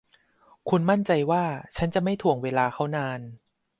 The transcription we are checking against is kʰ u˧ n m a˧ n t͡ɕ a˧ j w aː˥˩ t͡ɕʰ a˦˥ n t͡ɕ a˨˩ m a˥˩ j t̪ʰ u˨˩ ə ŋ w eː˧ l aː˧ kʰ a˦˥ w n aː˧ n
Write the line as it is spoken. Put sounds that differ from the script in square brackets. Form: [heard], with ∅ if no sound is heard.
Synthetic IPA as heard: kʰ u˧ n m [a˥˩] n t͡ɕ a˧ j w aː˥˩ t͡ɕʰ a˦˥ n t͡ɕ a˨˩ m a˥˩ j t̪ʰ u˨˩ ə ŋ w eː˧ l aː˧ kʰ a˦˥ w n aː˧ n